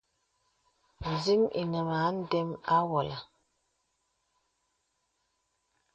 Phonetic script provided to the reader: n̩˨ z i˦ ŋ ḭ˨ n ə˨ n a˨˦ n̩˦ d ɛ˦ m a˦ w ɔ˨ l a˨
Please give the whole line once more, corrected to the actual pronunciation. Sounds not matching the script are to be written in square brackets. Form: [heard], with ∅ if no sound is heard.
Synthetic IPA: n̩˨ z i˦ [m] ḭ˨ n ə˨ [m] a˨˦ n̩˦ d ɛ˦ m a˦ w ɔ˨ l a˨